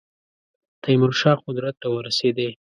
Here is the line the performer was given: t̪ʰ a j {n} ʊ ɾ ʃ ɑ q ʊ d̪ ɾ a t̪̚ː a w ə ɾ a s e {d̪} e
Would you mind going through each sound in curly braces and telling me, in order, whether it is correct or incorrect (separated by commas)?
incorrect, correct